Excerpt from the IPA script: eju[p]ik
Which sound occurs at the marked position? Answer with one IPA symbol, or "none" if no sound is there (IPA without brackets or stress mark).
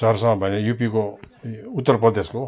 p